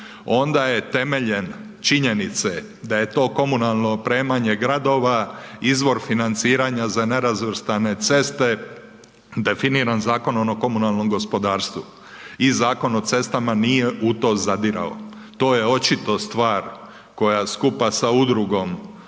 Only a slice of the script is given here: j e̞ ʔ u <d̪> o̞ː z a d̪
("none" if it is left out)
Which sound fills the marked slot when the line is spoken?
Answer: t̪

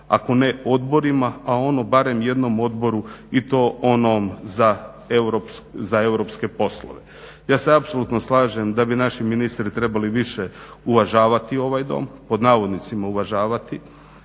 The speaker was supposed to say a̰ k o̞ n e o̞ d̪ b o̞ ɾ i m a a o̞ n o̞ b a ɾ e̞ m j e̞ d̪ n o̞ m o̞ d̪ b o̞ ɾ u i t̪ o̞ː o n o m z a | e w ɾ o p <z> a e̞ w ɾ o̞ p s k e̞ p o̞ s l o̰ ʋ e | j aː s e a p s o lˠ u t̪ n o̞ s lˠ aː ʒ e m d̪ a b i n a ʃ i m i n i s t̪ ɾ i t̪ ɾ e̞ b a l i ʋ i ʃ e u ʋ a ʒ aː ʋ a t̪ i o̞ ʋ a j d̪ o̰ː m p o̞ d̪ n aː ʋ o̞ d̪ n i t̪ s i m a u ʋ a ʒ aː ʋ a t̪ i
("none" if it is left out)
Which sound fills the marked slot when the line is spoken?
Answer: z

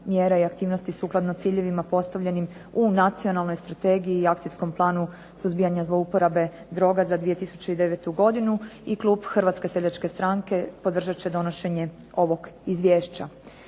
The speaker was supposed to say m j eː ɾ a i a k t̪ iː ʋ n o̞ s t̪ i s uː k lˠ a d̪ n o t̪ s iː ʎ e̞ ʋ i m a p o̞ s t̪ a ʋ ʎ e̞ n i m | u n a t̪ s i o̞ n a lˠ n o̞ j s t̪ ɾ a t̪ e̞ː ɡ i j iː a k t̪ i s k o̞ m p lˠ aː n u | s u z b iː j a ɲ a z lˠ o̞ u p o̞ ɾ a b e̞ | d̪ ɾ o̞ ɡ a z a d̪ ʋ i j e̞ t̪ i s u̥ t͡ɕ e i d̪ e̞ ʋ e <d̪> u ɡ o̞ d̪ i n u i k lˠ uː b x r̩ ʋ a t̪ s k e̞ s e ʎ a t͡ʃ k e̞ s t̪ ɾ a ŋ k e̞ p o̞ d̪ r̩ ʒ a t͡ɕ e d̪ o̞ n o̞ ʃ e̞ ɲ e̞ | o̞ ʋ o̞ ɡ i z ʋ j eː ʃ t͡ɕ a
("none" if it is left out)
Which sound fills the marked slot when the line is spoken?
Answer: t̪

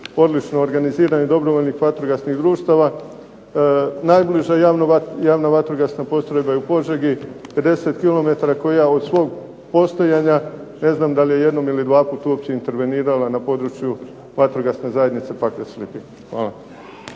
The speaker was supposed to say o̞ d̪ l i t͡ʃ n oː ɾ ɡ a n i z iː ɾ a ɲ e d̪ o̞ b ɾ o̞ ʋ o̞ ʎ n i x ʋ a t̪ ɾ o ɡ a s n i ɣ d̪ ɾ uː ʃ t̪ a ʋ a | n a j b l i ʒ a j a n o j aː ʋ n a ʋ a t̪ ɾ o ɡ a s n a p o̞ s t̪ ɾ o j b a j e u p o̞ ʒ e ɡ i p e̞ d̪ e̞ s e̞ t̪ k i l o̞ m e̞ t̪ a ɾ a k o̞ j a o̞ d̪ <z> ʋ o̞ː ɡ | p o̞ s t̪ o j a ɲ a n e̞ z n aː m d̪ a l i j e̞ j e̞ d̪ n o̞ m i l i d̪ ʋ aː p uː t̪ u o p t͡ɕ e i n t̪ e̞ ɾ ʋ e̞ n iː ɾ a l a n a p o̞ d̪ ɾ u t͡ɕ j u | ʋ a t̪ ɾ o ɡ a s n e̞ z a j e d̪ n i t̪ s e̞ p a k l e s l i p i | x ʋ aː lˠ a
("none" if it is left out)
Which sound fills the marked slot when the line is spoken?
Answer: s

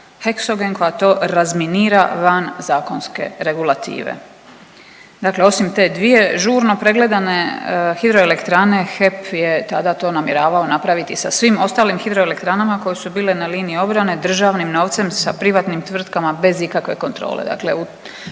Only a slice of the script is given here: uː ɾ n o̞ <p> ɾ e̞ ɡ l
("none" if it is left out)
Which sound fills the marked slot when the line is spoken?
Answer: p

